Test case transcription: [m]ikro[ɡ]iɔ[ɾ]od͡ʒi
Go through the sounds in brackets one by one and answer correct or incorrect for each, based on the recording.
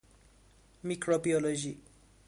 correct, incorrect, incorrect

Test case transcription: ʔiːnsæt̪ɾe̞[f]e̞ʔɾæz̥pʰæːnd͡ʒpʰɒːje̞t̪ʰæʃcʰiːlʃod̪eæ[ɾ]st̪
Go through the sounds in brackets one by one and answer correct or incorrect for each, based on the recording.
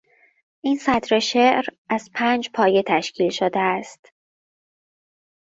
incorrect, incorrect

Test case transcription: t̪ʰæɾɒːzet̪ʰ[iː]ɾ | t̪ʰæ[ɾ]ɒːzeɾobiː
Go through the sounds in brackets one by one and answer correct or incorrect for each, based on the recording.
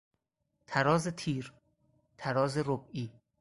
correct, correct

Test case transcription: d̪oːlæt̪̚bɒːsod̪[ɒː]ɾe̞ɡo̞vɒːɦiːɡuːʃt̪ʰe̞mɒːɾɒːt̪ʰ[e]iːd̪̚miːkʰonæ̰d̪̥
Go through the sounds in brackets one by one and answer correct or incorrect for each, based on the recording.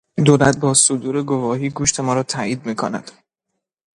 incorrect, incorrect

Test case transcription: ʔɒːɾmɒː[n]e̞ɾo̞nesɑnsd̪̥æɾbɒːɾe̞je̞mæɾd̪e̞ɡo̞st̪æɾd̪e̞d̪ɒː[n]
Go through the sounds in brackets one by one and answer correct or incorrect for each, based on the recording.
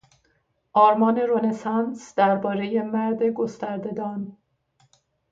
correct, correct

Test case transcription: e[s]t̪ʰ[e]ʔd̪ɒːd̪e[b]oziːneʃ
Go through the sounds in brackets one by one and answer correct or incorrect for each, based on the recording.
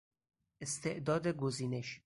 correct, correct, incorrect

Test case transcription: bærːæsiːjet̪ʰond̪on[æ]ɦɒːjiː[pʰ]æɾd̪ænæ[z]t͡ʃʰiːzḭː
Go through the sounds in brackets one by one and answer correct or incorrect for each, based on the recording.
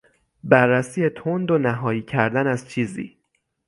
correct, incorrect, correct

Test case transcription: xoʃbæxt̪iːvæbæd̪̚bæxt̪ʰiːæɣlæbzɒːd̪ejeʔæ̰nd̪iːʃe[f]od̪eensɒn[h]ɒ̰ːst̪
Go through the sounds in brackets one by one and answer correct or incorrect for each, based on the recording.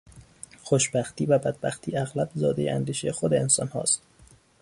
incorrect, correct

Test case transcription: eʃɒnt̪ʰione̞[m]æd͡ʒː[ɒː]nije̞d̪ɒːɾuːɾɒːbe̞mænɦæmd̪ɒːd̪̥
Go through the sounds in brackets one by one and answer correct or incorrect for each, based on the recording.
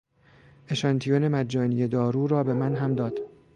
correct, correct

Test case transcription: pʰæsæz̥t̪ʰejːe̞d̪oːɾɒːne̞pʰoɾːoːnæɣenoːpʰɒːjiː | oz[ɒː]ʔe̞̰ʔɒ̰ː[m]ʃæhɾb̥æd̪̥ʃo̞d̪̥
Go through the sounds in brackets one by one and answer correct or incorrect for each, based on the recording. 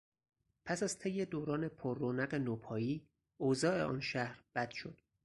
correct, incorrect

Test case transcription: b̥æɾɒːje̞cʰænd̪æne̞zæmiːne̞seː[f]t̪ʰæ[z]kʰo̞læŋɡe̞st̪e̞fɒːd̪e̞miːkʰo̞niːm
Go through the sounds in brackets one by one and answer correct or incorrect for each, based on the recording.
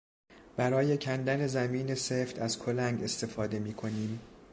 correct, correct

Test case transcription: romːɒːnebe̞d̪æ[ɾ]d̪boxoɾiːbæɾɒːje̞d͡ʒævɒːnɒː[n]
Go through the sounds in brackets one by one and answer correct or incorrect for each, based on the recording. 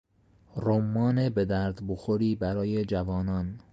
correct, correct

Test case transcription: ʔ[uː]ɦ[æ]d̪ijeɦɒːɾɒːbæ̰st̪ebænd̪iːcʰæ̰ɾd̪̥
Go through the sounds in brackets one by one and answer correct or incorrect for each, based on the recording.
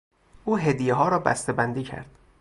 correct, incorrect

